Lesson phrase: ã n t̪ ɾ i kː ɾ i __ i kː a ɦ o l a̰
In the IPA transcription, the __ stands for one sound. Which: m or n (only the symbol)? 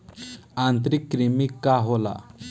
m